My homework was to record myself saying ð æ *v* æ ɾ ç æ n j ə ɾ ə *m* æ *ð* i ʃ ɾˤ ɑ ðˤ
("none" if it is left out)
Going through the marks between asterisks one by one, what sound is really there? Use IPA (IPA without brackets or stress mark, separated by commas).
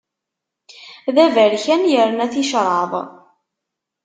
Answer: v, n, θ